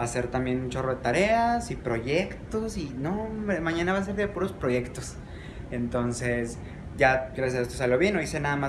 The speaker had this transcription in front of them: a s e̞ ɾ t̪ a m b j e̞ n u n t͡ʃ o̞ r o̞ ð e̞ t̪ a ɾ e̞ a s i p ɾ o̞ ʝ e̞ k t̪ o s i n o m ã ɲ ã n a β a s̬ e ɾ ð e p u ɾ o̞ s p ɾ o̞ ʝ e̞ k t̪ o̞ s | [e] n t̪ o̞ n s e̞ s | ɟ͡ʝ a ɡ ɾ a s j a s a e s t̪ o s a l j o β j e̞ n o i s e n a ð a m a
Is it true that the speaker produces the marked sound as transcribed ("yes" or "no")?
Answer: yes